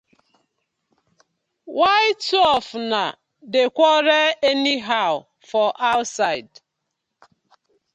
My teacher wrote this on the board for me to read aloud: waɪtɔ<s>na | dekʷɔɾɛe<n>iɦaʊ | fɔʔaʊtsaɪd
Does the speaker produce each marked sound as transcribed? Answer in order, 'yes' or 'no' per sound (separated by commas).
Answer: no, yes